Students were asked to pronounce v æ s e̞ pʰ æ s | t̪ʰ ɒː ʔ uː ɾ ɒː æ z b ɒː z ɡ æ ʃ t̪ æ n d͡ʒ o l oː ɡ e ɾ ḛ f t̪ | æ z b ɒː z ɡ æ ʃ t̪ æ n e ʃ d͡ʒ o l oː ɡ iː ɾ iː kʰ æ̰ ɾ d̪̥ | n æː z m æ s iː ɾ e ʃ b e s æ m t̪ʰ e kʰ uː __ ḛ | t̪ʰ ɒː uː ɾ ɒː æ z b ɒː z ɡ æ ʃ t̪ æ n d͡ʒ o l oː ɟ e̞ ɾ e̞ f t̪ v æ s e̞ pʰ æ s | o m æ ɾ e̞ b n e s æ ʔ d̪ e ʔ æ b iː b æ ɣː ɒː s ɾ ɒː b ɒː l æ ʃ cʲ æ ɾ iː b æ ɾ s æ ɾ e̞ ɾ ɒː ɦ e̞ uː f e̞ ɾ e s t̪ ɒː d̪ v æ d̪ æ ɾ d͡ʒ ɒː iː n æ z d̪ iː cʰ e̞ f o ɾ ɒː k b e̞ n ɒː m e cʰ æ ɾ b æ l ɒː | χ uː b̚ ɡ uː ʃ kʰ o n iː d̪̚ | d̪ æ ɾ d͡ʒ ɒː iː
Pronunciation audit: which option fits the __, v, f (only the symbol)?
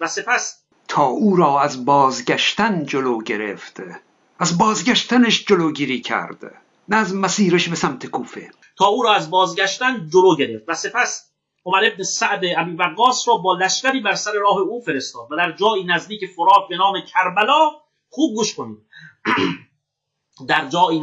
f